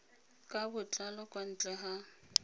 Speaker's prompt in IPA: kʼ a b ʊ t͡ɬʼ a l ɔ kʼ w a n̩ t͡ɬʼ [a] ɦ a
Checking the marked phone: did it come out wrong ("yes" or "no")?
yes